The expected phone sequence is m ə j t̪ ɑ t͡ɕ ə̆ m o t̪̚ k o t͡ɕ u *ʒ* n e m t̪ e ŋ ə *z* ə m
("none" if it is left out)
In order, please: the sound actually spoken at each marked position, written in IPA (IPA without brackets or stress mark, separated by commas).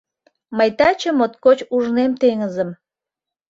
ʒ, z